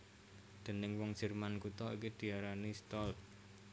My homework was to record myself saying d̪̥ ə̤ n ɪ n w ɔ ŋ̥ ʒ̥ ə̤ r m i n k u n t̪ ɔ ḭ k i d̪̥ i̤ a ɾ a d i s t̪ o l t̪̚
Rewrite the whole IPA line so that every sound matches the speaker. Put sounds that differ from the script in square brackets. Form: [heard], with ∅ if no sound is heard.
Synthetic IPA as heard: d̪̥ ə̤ n ɪ [ŋ] w ɔ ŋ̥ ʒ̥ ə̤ r m [a] n k u [∅] t̪ ɔ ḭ k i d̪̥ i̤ a ɾ a [n] i s t̪ [ɔ] l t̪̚